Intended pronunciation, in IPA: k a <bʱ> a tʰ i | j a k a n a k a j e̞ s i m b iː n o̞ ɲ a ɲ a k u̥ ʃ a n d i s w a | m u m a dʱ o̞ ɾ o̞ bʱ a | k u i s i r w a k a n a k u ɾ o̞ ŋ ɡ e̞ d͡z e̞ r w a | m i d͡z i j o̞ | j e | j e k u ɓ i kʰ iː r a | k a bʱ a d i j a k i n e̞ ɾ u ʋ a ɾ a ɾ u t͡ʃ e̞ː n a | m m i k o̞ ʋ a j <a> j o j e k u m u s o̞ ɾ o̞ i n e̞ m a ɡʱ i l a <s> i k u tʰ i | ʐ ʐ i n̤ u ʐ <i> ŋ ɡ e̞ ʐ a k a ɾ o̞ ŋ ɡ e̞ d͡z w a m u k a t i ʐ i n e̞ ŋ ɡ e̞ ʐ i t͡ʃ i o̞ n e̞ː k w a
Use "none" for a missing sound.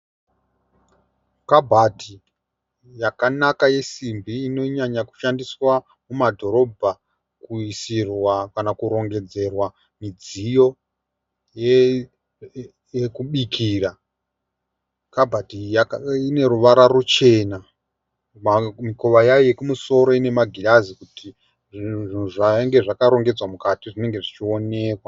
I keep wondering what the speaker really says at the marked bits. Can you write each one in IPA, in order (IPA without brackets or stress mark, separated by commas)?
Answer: bʱ, a, z, a